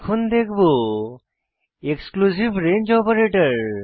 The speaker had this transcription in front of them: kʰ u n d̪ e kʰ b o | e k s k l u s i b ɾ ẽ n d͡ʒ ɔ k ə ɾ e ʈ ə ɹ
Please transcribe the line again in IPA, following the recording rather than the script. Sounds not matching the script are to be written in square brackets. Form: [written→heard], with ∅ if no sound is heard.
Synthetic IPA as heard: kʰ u n d̪ e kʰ b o | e k s k l u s i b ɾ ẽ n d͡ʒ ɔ [k→p] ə ɾ e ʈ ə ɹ